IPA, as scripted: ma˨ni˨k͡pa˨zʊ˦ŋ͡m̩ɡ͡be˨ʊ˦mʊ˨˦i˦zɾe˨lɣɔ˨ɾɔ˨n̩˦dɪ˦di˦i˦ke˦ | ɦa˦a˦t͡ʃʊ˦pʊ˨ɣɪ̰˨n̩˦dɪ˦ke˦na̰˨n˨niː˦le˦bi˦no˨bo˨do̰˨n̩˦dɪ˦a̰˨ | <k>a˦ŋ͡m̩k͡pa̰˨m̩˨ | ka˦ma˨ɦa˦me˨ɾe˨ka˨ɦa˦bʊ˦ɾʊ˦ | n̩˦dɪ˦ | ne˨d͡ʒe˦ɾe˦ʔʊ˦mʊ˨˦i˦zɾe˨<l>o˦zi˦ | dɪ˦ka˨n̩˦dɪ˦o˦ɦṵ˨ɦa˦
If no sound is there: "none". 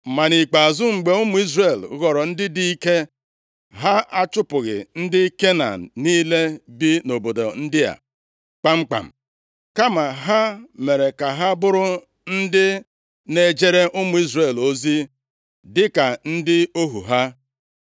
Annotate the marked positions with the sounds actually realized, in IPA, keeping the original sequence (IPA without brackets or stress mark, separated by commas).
k͡p, l